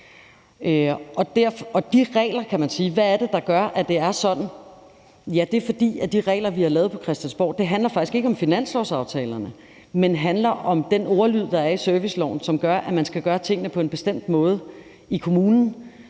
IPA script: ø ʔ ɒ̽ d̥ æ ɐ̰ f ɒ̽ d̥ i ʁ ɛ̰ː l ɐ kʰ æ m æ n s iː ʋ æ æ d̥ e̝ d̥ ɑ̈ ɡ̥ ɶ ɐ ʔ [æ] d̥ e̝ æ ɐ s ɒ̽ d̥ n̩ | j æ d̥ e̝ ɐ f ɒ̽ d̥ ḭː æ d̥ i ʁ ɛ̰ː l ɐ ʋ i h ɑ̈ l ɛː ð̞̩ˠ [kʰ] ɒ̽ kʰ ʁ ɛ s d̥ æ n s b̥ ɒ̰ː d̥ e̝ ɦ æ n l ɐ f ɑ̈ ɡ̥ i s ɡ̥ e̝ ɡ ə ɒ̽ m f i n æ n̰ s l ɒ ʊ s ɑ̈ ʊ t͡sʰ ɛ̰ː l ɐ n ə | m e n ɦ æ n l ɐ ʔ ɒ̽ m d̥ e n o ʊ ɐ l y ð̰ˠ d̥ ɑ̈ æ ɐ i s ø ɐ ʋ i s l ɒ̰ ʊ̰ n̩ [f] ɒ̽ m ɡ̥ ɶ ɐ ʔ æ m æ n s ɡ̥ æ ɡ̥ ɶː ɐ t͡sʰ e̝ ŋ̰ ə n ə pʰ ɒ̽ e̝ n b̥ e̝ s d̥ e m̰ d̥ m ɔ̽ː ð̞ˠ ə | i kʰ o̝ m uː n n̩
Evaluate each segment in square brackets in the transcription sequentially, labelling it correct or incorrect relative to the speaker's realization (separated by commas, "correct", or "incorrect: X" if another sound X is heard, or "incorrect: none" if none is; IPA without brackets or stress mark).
correct, incorrect: pʰ, incorrect: s